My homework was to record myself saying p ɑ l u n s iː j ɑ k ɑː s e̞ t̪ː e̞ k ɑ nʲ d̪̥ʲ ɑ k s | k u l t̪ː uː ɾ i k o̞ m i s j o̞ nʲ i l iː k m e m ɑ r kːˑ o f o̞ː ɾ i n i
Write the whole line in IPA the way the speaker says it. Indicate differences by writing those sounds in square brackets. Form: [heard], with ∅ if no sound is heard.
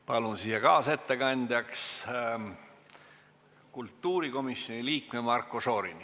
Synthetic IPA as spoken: p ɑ l u n s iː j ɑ k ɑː s e̞ t̪ː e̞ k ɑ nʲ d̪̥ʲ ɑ k s | k u l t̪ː uː ɾ i k o̞ m i s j o̞ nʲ i l iː k m e m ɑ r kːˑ o [s] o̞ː ɾ i n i